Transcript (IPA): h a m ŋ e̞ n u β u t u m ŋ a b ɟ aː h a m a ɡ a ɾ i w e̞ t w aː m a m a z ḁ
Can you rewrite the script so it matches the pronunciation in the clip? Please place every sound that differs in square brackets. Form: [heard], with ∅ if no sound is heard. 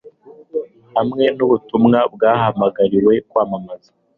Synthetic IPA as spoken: h a m ŋ e̞ n u β u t u m ŋ a b [ɡ] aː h a m a ɡ a ɾ i w e̞ [k] w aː m a m a z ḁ